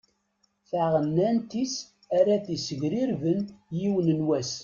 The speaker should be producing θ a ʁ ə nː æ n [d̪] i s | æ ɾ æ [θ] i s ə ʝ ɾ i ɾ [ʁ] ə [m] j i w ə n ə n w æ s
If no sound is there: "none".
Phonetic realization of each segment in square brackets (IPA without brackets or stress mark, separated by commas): t̪, θ, v, n